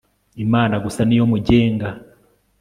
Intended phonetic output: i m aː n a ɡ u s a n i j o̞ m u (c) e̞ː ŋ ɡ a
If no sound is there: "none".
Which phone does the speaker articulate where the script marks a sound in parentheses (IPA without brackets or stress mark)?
ɟ